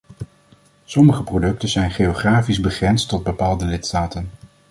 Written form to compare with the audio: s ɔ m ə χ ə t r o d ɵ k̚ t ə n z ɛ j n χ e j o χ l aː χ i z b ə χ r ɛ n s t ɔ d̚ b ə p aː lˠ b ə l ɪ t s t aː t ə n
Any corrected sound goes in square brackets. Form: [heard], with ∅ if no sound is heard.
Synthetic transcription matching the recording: s ɔ m ə χ ə [p] r o d ɵ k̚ t ə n z ɛ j n χ e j o χ [r] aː [f] i z b ə χ r ɛ n s t ɔ d̚ b ə p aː lˠ [d] ə l ɪ t s t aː t ə n